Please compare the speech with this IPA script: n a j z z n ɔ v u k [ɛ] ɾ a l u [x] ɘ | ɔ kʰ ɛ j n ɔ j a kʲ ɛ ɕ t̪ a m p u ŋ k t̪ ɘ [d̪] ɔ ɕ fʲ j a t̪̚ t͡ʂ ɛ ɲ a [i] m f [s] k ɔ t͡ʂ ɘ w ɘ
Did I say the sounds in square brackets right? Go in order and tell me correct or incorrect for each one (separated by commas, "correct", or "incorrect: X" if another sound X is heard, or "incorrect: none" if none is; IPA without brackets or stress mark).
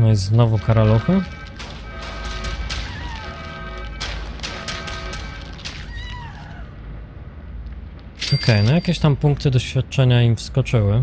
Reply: incorrect: a, correct, correct, correct, correct